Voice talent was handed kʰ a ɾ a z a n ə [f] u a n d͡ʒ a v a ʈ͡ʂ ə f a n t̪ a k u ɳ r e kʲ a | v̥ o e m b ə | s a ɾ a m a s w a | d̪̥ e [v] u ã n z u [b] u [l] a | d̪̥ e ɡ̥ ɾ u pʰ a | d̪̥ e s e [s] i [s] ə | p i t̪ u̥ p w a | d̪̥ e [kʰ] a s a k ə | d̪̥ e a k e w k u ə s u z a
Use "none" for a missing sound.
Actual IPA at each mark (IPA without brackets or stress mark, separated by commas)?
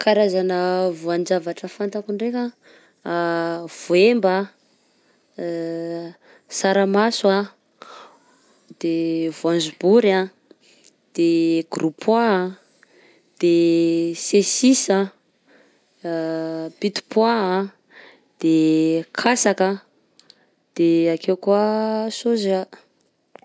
v, v, b, ɾ, s, s, kʰ